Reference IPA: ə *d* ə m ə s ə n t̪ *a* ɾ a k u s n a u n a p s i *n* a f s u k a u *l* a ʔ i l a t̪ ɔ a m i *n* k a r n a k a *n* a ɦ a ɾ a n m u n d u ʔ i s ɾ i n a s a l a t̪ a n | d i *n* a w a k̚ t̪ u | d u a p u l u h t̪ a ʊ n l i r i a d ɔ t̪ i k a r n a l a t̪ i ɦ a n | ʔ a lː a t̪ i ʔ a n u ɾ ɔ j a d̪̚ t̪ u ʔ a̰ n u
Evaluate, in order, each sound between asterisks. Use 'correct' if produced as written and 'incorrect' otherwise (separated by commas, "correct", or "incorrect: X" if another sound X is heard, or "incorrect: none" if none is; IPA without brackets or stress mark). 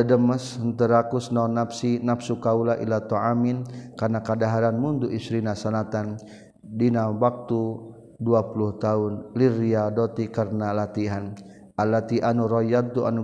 correct, incorrect: ə, correct, correct, correct, incorrect: d, correct